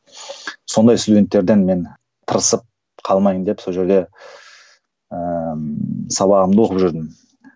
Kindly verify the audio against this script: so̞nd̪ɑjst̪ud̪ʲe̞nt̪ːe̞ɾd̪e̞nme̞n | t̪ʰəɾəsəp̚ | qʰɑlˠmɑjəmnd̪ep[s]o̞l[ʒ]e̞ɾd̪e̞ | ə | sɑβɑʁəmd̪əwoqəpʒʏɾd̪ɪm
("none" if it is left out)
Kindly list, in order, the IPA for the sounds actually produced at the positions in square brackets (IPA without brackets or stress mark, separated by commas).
s, ʒ